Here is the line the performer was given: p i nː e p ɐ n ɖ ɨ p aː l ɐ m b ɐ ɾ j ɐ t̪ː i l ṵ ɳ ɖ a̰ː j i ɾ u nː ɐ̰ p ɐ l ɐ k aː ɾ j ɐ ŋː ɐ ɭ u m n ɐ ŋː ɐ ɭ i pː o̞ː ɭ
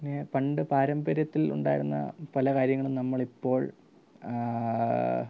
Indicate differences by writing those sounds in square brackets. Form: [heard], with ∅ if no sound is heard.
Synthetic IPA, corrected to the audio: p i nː e p ɐ [ɳ] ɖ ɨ p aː [ɾ] ɐ m b ɐ ɾ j ɐ t̪ː i l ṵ ɳ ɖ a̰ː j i ɾ u nː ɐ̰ p ɐ l ɐ k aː ɾ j ɐ ŋː ɐ ɭ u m n ɐ [mː] ɐ ɭ i pː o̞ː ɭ